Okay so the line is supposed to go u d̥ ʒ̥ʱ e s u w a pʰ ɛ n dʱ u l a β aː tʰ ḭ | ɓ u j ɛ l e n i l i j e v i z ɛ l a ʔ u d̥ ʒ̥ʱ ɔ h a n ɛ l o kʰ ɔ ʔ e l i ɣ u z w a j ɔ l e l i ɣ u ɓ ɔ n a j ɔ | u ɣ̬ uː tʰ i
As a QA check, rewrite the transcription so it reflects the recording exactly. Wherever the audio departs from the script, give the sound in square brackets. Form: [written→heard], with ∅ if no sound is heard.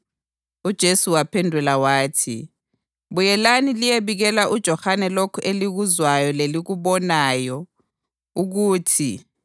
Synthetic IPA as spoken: u d̥ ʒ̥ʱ e s u w a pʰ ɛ n dʱ u l a [β→w] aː tʰ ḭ | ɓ u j ɛ l [e→a] n i l i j e [v→β] i [z→ɣ] ɛ l a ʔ u d̥ ʒ̥ʱ ɔ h a n ɛ l o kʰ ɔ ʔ e l i ɣ u z w a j ɔ l e l i ɣ u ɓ ɔ n a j ɔ | u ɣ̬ uː tʰ i